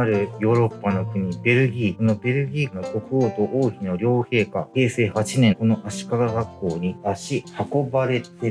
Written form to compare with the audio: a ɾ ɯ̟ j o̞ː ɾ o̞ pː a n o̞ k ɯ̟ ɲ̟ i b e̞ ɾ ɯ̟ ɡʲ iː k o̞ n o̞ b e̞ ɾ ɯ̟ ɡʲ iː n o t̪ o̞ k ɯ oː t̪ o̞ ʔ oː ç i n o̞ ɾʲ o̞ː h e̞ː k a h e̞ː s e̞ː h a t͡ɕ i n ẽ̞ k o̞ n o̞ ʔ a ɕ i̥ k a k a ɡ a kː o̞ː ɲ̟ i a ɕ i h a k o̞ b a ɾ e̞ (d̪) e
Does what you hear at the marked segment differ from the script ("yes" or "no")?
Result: yes